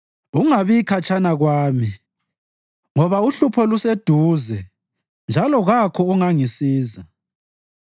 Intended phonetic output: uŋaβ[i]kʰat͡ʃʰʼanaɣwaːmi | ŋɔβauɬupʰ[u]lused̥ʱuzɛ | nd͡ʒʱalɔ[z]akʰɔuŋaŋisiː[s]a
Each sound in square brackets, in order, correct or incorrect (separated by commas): correct, incorrect, incorrect, incorrect